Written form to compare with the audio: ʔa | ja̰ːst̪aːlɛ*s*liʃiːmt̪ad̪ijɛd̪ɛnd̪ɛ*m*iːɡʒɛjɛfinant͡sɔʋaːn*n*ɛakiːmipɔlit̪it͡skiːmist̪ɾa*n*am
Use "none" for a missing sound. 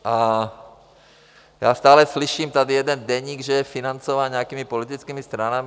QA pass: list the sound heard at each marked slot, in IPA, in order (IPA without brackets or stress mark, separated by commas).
s, ɲ, ɲ, n